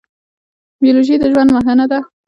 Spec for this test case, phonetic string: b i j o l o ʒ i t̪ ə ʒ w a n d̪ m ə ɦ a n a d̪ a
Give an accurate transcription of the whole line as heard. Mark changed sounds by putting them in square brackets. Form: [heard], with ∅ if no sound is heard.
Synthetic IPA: b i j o l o ʒ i [d̪] ə ʒ w a n d̪ m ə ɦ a n a d̪ a